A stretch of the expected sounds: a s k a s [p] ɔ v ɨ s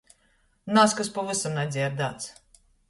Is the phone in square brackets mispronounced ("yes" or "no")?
no